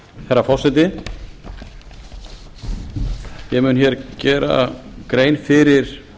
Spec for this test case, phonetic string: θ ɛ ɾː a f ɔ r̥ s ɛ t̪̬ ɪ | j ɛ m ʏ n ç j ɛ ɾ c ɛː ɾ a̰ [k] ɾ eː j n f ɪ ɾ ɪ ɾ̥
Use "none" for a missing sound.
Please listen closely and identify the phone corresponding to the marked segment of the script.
k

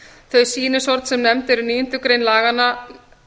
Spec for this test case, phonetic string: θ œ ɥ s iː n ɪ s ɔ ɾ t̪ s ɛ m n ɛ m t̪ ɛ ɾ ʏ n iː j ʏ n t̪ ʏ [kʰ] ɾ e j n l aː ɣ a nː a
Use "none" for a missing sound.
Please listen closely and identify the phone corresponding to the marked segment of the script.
k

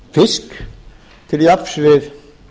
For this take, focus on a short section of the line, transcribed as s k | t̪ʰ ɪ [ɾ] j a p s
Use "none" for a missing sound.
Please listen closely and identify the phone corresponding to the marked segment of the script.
l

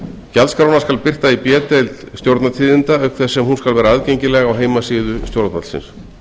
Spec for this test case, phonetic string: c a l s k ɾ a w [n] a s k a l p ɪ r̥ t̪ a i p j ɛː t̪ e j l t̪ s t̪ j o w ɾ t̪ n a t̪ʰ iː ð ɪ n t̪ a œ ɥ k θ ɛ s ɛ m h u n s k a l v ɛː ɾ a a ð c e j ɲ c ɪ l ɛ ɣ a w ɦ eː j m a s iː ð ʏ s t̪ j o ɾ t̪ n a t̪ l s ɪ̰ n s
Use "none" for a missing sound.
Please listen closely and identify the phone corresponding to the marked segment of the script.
n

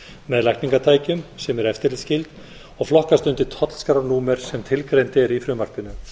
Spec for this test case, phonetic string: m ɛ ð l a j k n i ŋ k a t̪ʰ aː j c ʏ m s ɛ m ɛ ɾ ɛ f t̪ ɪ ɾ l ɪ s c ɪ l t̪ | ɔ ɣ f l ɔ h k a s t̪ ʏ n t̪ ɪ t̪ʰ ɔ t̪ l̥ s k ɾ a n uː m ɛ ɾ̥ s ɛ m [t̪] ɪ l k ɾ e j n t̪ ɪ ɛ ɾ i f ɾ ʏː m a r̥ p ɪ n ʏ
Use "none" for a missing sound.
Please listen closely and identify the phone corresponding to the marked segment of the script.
t̪ʰ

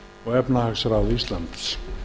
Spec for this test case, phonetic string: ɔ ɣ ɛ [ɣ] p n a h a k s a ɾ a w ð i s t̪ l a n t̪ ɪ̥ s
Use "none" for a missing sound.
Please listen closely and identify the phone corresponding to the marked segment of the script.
none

